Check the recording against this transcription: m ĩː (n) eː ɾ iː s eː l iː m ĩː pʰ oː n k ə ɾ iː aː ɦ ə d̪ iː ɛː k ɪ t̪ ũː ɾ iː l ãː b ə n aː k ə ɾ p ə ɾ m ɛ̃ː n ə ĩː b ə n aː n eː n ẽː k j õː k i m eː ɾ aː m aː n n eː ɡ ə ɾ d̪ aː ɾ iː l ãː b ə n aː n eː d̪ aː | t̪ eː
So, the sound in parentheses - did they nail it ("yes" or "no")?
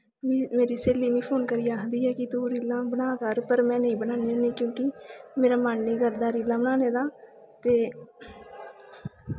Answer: no